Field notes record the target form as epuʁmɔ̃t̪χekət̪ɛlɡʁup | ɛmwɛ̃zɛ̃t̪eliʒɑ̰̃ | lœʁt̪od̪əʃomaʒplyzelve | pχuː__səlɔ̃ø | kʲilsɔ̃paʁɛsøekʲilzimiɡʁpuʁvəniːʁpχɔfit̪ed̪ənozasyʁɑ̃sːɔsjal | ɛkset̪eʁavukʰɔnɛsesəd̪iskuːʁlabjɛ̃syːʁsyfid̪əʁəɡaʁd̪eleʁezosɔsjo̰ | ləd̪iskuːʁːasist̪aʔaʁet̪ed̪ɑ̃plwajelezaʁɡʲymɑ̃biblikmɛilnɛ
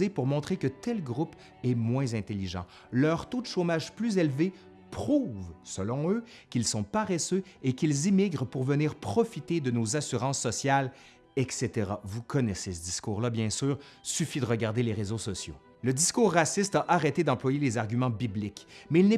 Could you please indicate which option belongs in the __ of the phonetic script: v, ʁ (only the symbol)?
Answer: v